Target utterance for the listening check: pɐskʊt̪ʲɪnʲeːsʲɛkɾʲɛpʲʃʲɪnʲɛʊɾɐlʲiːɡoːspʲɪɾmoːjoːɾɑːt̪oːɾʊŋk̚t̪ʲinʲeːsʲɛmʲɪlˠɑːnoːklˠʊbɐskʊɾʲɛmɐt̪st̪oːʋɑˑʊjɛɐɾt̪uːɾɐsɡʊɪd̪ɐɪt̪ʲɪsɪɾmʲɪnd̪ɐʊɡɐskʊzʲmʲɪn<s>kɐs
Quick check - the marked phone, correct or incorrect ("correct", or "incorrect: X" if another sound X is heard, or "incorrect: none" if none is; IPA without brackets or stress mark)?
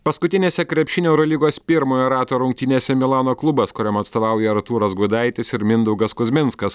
correct